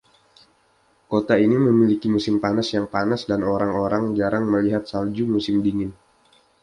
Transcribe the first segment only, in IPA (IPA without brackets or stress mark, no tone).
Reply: k